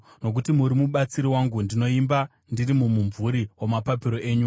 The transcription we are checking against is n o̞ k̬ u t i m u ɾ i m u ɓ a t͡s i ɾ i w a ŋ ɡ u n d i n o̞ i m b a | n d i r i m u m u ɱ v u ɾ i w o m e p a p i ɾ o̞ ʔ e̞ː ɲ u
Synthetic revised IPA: n o̞ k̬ u t i m u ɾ i m u ɓ a t͡s i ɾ i w a ŋ ɡ u n d i n o̞ i m b a | n d i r i m u m u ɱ v u ɾ i w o m a p a p i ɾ o̞ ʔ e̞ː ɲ u

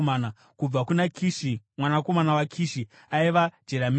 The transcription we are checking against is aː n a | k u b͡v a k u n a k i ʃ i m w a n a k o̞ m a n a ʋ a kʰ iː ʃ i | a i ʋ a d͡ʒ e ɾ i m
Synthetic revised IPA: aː n a | k u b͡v a k u n a k i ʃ i m w a n a k o̞ m a n a w a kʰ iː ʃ i | a i ʋ a d͡ʒ e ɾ a m

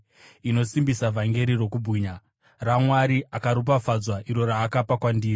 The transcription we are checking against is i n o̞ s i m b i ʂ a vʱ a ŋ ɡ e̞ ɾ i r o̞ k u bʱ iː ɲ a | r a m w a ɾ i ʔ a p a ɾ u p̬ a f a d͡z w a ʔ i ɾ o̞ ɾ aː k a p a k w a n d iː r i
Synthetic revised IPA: i n o̞ s i m b i s a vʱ a ŋ ɡ e̞ ɾ i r o̞ k u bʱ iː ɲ a | r a m w a ɾ i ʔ a k a ɾ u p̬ a f a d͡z w a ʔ i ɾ o̞ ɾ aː k a p a k w a n d iː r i

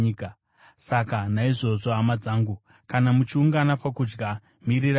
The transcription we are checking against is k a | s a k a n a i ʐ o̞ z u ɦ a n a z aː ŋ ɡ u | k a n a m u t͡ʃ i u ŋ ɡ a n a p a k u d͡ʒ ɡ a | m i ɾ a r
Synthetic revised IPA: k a | s a k a n a i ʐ o̞ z o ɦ a m a d͡z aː ŋ ɡ u | k a n a m u t͡ʃ i u ŋ ɡ a n a p a k u d͡ʒ ɡ a | m i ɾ i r

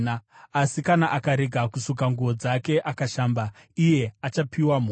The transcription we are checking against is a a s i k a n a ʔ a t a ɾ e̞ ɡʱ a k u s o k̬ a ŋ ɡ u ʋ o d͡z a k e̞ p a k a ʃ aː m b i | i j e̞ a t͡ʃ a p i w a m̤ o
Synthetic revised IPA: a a s i k a n a ʔ a k a ɾ e̞ ɡʱ a k u s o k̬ a ŋ ɡ u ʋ o d͡z a k e̞ ʔ a k a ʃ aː m b a | i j e̞ a t͡ʃ a p i w a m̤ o

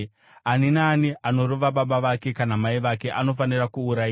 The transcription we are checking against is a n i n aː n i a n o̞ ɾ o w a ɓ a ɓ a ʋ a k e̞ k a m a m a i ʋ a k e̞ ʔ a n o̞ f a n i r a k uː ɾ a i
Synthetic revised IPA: a n i n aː n i a n o̞ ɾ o ʋ a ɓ a ɓ a ʋ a k e̞ k a n a m a i ʋ a k e̞ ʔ a n o̞ f a n i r a k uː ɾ a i

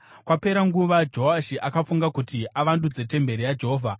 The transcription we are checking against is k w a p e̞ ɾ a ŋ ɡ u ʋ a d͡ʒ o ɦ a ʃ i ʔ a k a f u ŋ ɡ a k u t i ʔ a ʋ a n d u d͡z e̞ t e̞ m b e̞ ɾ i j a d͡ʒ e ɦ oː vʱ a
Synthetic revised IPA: k w a p e̞ ɾ a ŋ ɡ u ʋ a d͡ʒ o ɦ a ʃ i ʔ a k a f u ŋ ɡ a k u t i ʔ a ʋ a n d u d͡z e̞ t e̞ m b e̞ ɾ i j a d͡ʒ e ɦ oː vʱ a

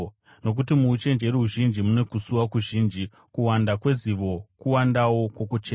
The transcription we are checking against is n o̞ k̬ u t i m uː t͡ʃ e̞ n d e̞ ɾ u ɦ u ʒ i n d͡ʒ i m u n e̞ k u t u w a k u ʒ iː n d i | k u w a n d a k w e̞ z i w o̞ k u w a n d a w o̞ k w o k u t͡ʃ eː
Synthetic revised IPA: n o̞ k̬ u t i m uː t͡ʃ e̞ n d͡ʒ e̞ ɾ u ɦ u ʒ i n d͡ʒ i m u n e̞ k u s u w a k u ʒ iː n d͡ʒ i | k u w a n d a k w e̞ z i ʋ o̞ k u w a n d a w o̞ k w o k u t͡ʃ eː

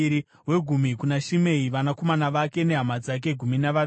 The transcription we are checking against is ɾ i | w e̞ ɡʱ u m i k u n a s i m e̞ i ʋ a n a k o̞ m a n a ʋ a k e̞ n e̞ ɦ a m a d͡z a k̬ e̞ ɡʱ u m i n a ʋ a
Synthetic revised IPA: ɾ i | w e̞ ɡʱ u m i k u n a ʃ i m e̞ i ʋ a n a k o̞ m a n a ʋ a k e̞ n e̞ ɦ a m a d͡z a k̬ e̞ ɡʱ u m i n a ʋ a

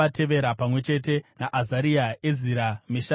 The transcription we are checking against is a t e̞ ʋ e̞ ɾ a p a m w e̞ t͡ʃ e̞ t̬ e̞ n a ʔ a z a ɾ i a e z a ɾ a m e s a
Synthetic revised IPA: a t e̞ ʋ e̞ ɾ a p a m w e̞ t͡ʃ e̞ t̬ e̞ n a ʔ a z a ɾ i a e z i ɾ a m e ʃ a

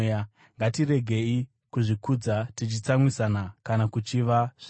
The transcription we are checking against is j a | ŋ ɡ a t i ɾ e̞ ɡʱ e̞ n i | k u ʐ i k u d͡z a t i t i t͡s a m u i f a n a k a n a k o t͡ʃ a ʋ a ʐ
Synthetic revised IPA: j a | ŋ ɡ a t i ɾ e̞ ɡʱ e̞ i | k u ʐ i k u d͡z a t i t͡ʃ i t͡s a m w i s a n a k a n a k u t͡ʃ i ʋ a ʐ

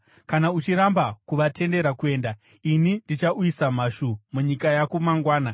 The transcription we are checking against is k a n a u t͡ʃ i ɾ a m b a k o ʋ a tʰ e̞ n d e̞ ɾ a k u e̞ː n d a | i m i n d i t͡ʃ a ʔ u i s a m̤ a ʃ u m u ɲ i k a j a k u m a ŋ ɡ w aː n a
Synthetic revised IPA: k a n a u t͡ʃ i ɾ a m b a k u ʋ a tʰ e̞ n d e̞ ɾ a k u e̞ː n d a | i n i n d i t͡ʃ a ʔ u i s a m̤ a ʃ u m u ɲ i k a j a k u m a ŋ ɡ w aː n a

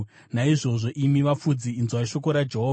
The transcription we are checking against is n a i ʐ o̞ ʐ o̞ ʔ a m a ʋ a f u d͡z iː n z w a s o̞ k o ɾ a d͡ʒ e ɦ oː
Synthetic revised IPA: n a i ʐ o̞ ʐ o̞ ʔ i m i ʋ a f u d͡z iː n z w a ʃ o̞ k o ɾ a d͡ʒ e ɦ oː

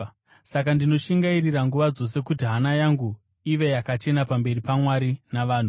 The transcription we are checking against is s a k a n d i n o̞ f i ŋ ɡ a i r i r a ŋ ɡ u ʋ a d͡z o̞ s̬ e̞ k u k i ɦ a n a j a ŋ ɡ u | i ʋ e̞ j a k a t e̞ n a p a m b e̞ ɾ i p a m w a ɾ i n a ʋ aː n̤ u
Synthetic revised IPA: s a k a n d i n o̞ ʃ i ŋ ɡ a i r i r a ŋ ɡ u ʋ a d͡z o̞ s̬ e̞ k u t i ɦ a n a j a ŋ ɡ u | i ʋ e̞ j a k a t͡ʃ e̞ n a p a m b e̞ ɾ i p a m w a ɾ i n a ʋ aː n̤ u

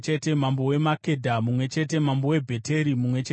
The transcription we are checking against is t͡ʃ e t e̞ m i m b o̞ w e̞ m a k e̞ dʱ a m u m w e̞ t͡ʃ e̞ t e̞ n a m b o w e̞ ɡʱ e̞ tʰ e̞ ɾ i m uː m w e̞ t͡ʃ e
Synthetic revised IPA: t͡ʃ e t e̞ m a m b o̞ w e̞ m a k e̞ dʱ a m u m w e̞ t͡ʃ e̞ t e̞ m a m b o w e̞ bʱ e̞ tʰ e̞ ɾ i m u m w e̞ t͡ʃ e

